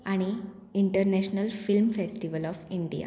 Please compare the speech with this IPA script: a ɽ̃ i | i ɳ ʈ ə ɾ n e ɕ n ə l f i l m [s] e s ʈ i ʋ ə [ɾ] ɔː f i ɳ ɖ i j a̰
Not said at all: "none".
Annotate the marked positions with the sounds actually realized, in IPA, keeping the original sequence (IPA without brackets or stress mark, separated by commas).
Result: f, l